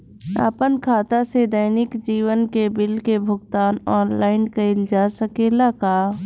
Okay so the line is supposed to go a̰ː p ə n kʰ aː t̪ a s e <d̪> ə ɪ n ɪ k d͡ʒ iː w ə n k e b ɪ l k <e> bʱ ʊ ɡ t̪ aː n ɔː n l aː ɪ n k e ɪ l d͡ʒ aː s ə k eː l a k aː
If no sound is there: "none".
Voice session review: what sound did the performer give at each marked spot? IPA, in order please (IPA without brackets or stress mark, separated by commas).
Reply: d̪, e